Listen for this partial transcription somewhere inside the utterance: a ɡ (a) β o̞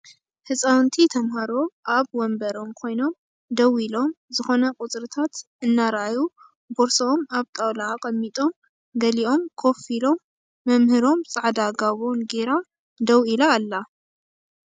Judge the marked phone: correct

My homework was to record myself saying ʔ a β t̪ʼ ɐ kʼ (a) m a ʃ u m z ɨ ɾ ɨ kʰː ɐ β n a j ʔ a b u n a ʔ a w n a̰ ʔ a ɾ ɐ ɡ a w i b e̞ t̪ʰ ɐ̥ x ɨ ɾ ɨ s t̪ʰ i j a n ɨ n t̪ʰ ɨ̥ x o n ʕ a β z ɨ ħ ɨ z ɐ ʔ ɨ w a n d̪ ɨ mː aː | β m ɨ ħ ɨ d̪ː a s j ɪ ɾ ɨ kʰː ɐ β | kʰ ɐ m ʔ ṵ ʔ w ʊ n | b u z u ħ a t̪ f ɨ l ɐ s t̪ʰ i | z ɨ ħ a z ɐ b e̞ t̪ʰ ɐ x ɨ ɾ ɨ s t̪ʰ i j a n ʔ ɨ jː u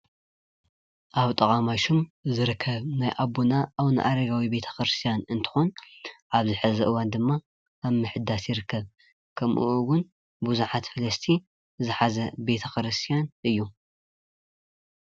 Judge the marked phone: correct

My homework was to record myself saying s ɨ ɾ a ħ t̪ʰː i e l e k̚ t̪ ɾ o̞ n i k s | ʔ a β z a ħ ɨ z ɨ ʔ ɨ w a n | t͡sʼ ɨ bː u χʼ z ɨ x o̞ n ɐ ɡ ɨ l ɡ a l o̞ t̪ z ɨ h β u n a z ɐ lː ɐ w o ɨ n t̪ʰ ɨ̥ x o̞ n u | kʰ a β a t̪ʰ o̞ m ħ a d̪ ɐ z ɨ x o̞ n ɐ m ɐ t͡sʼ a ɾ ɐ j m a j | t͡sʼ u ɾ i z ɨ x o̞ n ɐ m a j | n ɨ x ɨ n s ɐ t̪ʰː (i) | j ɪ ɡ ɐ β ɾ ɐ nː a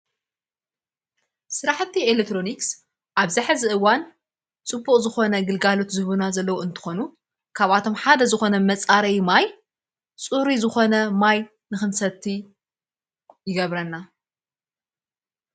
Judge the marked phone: correct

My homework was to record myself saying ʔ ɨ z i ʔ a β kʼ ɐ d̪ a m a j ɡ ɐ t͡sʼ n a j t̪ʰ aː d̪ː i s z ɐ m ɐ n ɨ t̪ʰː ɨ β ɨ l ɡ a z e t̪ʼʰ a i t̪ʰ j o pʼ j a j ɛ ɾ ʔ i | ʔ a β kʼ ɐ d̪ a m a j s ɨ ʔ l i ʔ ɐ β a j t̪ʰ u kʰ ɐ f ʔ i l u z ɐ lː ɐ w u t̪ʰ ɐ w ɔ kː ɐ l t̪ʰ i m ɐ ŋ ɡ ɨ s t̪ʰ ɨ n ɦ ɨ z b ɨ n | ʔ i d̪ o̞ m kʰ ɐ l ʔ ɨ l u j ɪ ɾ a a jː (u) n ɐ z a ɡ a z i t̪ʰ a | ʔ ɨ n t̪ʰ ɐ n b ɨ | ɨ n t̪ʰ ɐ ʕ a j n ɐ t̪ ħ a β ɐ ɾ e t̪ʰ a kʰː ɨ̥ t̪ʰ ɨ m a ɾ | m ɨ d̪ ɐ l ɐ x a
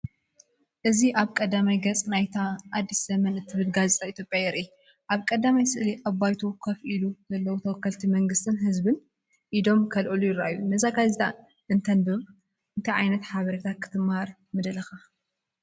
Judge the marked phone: correct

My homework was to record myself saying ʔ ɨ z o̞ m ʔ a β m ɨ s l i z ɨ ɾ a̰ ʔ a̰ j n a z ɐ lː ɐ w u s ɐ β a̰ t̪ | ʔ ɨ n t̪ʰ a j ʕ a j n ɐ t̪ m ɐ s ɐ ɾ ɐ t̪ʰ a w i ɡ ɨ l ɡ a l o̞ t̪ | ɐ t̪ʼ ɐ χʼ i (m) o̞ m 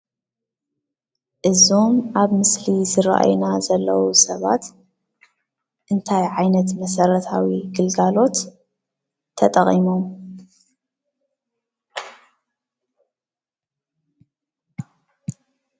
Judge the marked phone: correct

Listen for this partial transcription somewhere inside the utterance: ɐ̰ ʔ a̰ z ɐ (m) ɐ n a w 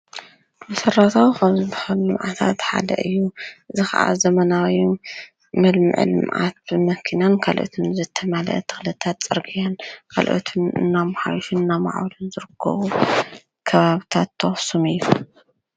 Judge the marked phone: correct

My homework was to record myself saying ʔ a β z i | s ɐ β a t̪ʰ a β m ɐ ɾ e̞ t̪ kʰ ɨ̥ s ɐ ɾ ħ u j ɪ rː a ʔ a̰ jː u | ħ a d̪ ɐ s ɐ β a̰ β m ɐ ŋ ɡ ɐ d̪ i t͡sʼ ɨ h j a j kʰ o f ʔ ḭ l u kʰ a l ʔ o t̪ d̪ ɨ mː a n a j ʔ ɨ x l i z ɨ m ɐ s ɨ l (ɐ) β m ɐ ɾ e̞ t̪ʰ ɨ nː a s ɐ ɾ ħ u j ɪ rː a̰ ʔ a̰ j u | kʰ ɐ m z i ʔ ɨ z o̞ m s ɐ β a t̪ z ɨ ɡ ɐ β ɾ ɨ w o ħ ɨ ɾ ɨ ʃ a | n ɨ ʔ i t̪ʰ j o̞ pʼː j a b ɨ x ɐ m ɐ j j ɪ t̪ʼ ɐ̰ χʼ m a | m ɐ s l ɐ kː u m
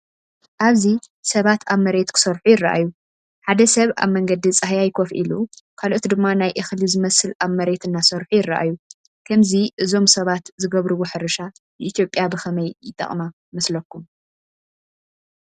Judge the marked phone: incorrect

